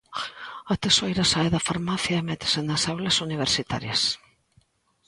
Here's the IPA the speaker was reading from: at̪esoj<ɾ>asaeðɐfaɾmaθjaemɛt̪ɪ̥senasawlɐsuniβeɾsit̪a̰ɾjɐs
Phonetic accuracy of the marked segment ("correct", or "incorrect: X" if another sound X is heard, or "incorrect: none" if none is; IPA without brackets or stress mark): correct